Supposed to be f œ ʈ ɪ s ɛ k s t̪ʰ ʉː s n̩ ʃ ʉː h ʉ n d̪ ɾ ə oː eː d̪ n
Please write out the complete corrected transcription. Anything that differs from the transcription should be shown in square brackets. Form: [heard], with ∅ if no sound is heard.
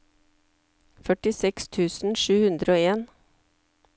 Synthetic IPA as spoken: f œ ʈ ɪ s ɛ k s t̪ʰ ʉː s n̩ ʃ ʉː h ʉ n d̪ ɾ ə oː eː [∅] n